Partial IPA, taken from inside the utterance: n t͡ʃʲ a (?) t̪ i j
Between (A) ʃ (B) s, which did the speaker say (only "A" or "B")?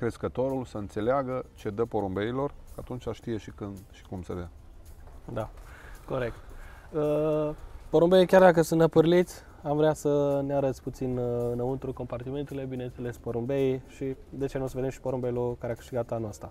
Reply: A